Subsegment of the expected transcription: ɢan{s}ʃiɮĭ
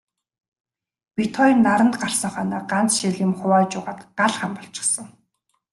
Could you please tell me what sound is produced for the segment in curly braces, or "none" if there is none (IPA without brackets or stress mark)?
t͡s